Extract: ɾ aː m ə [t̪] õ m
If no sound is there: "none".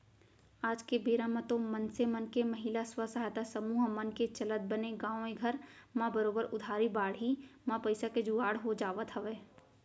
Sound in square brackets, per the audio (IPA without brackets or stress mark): t̪